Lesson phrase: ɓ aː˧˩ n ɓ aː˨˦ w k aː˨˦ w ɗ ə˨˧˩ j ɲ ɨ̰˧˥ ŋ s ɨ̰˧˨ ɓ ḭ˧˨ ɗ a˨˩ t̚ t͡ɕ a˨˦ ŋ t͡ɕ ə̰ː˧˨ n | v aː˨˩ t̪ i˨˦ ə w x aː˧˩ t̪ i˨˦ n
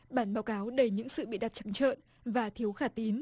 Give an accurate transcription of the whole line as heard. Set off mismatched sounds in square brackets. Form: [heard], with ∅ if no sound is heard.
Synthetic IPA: ɓ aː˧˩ n ɓ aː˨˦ w k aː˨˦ w ɗ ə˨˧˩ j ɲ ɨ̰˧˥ ŋ s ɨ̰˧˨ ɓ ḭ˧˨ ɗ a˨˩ t̚ t͡ɕ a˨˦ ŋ t͡ɕ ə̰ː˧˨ n | v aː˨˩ [t̪ʰ] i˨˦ ə w x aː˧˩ t̪ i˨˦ n